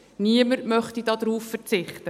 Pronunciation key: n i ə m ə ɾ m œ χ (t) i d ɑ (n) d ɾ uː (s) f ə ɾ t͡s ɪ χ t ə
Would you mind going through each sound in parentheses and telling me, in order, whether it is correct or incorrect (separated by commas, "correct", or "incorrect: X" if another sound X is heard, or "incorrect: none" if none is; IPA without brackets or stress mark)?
correct, incorrect: none, incorrect: f